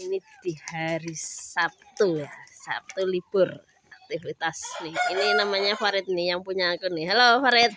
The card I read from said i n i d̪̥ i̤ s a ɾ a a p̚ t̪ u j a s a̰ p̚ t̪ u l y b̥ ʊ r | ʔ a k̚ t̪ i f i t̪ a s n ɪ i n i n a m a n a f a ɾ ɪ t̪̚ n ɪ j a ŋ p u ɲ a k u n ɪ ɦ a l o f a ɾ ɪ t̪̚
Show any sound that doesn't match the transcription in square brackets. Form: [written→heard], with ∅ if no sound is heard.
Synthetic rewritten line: i n i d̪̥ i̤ [s→h] a ɾ [a→i] a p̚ t̪ u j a s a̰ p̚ t̪ u l [y→i] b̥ ʊ r | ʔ a k̚ t̪ i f i t̪ a s n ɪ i n i n a m a [n→ɲ] a f a ɾ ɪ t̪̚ n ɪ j a ŋ p u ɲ a k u n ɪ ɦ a l o f a ɾ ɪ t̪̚